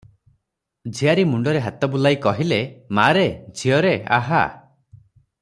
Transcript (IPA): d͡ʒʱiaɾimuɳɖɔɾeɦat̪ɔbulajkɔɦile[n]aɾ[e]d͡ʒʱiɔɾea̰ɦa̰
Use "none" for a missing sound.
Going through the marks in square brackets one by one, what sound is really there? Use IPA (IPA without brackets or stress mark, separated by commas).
m, e